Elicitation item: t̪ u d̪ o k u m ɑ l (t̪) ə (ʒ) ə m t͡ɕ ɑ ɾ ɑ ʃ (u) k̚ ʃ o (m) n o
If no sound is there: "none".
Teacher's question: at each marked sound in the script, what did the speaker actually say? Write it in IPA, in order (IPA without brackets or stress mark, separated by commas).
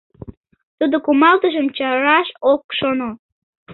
t̪, ʒ, o, none